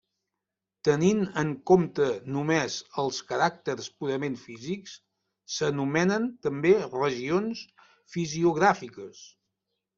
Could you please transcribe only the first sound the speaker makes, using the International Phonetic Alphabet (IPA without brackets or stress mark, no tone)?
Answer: t̪